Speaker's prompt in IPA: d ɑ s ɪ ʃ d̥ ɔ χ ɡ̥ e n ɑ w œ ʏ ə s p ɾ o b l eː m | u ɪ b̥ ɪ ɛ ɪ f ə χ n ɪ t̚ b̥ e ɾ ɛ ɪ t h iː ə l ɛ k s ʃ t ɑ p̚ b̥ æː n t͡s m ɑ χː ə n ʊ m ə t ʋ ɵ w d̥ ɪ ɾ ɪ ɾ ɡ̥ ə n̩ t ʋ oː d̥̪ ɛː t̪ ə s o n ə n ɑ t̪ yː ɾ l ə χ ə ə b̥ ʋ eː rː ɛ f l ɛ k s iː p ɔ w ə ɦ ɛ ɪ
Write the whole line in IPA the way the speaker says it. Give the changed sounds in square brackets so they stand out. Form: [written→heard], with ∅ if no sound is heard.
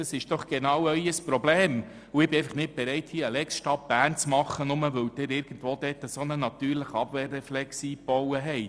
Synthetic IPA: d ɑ s ɪ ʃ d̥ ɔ χ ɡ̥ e n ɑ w œ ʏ ə s p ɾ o b l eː m | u ɪ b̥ ɪ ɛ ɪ f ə χ n ɪ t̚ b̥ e ɾ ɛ ɪ t h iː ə l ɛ k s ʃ t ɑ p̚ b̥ æː n t͡s m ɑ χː ə n ʊ m ə [t→∅] ʋ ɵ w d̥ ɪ ɾ ɪ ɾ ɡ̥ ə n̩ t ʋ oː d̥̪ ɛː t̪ ə s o n ə n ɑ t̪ yː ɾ l ə χ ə [ə→ɑ] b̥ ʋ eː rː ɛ f l ɛ k s iː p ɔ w ə ɦ ɛ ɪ

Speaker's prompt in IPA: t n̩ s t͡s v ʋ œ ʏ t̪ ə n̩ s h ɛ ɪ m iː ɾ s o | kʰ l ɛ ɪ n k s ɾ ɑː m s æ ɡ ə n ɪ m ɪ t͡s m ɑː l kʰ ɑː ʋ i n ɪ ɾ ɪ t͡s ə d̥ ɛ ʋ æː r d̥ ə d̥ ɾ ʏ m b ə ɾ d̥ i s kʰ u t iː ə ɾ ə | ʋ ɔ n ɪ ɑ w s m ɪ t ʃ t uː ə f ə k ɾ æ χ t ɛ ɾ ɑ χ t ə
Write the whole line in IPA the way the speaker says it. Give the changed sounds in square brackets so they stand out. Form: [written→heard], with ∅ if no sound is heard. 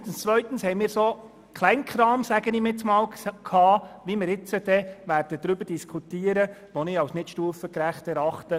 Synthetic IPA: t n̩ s t͡s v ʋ œ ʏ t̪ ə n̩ s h ɛ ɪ m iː ɾ s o | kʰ l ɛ ɪ n k [s→χ] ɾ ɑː m s æ ɡ ə n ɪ m ɪ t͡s m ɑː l kʰ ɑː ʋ i [n→m] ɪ ɾ ɪ t͡s ə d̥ ɛ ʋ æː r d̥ ə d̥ ɾ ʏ [m→∅] b ə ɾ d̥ i s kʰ u t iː ə ɾ ə | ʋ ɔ n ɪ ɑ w s [m→n] ɪ t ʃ t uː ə f ə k ɾ æ χ t ɛ ɾ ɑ χ t ə

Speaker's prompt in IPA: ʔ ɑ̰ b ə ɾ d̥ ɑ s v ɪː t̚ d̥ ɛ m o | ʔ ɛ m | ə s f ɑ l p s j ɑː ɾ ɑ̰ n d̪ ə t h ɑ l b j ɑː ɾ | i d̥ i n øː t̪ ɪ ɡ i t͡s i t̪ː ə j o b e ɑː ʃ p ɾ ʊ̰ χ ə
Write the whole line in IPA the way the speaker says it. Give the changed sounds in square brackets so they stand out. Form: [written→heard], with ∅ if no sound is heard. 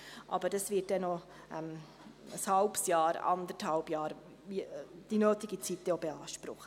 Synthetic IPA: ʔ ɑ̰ b ə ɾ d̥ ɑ s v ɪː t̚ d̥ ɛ [m→n] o | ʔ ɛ m | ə s [f→h] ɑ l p s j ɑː ɾ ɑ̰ n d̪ ə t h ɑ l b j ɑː ɾ | i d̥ i n øː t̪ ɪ ɡ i t͡s i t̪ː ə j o b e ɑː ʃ p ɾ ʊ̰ χ ə

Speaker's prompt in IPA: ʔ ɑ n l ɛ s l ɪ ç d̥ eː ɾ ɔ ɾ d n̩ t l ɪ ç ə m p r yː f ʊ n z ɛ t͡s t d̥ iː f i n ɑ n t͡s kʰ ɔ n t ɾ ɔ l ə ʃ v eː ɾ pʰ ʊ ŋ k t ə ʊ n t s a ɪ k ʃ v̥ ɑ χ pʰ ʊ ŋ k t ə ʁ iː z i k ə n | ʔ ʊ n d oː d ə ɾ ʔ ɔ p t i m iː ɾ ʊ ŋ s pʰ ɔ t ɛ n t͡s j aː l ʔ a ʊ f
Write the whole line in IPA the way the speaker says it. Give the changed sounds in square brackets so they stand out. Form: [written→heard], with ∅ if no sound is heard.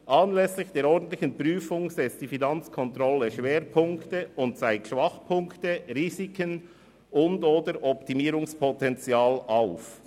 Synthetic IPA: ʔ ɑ n l ɛ s l ɪ ç d̥ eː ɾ ɔ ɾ d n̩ t l ɪ ç ə [m→n] p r yː f ʊ [n→ŋ] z ɛ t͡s t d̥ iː f i n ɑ n t͡s kʰ ɔ n t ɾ ɔ l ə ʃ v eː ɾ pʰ ʊ ŋ k t ə ʊ n t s a ɪ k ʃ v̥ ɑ χ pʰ ʊ ŋ k t ə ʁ iː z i k ə n | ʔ ʊ n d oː d ə ɾ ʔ ɔ p t i m iː ɾ ʊ ŋ s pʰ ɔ t ɛ n t͡s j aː l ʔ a ʊ f

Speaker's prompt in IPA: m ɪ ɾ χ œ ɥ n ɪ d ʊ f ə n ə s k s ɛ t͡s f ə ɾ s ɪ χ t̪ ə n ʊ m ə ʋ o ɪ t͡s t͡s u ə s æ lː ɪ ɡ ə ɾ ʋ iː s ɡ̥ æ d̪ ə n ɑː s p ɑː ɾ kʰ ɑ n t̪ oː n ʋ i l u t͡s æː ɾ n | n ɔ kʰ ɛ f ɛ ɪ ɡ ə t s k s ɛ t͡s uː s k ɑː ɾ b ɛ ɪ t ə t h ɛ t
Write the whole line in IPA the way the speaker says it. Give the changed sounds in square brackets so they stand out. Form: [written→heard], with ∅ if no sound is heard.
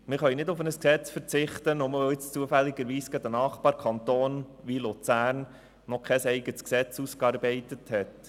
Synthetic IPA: m ɪ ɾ χ œ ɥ n ɪ d ʊ f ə n ə s k s ɛ t͡s f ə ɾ [s→t͡s] ɪ χ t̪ ə n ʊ m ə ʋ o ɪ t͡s t͡s u ə [s→f] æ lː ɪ ɡ ə ɾ ʋ iː s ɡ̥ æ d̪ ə n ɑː [s→χ] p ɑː ɾ kʰ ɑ n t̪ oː n ʋ i l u t͡s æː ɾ n | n ɔ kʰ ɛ [f→s] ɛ ɪ ɡ ə t s k s ɛ t͡s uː s k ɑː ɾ b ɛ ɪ t ə t h ɛ t

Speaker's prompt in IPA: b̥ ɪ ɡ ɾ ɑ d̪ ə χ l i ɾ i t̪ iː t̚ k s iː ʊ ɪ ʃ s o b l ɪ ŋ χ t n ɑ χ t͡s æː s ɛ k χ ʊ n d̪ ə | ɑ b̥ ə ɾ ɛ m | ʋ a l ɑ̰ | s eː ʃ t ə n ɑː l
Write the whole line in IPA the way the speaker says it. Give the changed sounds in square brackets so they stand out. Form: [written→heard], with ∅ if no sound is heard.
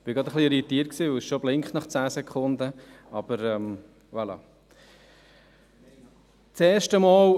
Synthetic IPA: b̥ ɪ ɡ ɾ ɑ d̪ ə χ l i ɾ i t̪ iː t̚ k s iː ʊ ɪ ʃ [s→ʃ] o b l ɪ ŋ χ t n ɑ χ t͡s æː s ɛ k χ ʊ n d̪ ə | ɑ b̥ ə ɾ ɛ m | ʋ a l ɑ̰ | [s→t͡s] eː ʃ t ə [n→m] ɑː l

